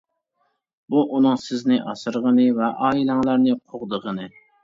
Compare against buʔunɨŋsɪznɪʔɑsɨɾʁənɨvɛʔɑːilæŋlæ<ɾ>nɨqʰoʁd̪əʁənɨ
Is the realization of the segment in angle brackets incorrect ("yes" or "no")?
no